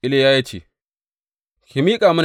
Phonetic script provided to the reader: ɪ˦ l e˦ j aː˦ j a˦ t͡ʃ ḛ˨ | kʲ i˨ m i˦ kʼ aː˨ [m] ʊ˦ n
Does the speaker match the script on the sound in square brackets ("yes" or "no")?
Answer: yes